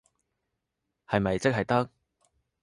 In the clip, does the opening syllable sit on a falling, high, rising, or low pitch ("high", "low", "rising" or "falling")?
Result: low